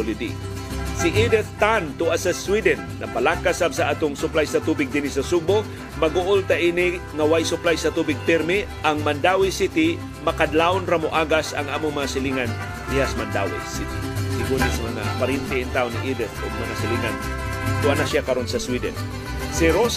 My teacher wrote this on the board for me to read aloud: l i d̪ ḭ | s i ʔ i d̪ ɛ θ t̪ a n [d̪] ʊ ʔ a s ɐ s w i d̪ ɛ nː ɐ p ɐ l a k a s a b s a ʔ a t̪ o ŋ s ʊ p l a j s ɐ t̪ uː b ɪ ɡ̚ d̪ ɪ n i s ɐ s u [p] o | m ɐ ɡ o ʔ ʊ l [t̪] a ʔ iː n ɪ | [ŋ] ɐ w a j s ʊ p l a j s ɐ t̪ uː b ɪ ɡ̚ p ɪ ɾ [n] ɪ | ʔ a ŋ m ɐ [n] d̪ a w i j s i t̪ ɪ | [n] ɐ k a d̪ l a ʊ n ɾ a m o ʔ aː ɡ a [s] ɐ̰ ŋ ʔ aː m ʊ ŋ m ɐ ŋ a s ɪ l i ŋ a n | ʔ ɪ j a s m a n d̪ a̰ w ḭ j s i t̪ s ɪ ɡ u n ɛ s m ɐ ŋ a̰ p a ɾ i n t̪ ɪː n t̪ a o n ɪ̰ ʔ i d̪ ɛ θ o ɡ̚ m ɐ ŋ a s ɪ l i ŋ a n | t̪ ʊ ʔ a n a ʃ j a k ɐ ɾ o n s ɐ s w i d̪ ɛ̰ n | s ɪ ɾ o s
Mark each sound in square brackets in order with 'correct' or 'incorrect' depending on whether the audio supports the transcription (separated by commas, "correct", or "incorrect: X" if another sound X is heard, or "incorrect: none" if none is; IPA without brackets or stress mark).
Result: incorrect: t̪, incorrect: b, correct, correct, incorrect: m, correct, incorrect: m, correct